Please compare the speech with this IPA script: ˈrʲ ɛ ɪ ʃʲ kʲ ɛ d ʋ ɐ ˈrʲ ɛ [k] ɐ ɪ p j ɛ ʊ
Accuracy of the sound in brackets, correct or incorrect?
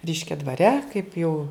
correct